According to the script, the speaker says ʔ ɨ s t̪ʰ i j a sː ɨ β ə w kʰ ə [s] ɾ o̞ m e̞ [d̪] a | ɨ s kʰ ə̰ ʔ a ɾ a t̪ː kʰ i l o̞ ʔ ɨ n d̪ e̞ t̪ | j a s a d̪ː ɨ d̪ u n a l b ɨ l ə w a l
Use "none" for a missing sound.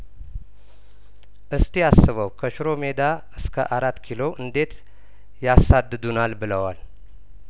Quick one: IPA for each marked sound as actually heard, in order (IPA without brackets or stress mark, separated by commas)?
ʃ, d̪